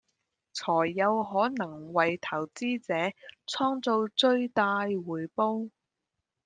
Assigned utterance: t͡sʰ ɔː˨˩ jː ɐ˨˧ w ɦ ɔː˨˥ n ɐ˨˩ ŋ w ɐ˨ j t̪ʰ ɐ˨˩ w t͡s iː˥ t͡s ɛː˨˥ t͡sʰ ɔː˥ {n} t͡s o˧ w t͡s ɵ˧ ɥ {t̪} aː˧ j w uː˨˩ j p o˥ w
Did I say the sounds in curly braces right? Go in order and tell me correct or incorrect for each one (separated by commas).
incorrect, correct